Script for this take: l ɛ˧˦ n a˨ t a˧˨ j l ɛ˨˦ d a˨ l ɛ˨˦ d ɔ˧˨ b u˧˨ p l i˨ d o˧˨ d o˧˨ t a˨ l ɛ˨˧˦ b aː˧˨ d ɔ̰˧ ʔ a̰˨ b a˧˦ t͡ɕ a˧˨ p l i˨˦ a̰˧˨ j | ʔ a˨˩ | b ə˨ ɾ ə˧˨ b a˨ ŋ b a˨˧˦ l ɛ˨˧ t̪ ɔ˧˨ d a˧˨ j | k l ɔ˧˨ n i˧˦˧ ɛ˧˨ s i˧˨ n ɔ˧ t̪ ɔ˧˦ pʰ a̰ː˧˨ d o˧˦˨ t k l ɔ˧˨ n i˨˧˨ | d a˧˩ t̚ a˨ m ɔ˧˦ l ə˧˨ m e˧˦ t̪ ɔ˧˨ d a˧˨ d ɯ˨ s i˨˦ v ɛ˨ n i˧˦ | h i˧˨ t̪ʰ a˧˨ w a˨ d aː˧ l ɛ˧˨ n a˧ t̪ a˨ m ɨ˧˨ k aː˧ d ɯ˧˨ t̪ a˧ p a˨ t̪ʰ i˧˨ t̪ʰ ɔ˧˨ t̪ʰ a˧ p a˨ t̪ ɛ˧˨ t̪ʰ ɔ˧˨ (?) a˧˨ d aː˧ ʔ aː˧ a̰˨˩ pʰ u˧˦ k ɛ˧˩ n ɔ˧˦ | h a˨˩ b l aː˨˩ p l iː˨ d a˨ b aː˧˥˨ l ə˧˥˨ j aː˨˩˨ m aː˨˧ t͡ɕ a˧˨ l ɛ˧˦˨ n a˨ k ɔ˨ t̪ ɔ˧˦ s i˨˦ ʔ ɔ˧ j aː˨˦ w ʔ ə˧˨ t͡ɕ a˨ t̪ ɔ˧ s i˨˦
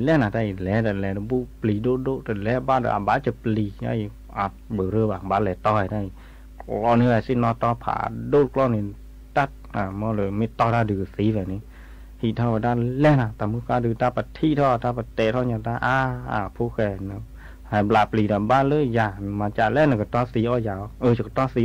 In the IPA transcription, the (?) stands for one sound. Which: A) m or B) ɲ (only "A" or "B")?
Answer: B